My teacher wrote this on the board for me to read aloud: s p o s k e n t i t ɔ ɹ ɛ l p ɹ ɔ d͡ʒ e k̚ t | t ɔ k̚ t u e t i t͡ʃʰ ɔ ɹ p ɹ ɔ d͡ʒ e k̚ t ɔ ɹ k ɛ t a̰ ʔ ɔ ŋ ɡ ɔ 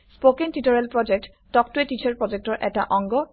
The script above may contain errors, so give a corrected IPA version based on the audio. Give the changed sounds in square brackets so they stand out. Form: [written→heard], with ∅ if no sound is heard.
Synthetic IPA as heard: s p o [s→∅] k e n t i t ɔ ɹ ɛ l p ɹ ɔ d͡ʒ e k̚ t | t ɔ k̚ t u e t i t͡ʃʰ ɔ ɹ p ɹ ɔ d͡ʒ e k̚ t ɔ ɹ [k→ʔ] ɛ t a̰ ʔ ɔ ŋ ɡ ɔ